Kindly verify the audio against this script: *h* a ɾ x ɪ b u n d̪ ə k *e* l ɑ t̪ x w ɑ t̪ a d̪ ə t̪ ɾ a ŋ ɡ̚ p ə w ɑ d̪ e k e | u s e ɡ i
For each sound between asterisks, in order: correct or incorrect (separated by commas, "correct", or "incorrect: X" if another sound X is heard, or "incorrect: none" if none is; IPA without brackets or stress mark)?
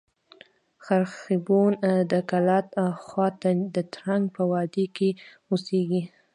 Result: incorrect: x, incorrect: a